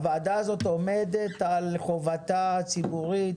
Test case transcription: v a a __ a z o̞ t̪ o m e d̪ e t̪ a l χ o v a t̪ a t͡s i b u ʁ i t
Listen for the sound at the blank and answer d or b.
d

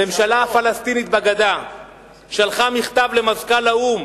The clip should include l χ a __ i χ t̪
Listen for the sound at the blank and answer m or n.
m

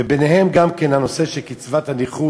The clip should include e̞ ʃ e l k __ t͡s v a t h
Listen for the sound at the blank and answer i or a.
i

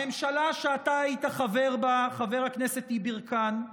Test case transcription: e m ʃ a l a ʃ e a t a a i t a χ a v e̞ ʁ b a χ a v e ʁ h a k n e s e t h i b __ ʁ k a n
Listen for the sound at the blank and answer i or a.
i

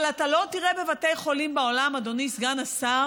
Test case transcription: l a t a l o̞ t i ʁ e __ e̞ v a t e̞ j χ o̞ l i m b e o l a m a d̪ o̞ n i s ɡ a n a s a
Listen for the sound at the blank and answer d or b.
b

